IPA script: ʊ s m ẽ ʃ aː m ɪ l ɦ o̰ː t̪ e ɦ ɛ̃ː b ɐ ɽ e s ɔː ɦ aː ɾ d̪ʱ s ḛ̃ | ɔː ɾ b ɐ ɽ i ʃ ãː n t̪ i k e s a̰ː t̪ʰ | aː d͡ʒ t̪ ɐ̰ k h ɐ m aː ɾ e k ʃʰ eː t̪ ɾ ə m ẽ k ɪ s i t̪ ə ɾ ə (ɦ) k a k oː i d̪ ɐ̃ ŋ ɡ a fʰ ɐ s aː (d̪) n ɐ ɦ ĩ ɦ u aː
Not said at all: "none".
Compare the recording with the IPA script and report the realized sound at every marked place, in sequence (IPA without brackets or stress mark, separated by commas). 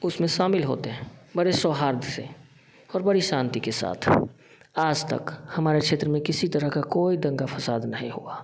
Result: ɦ, d̪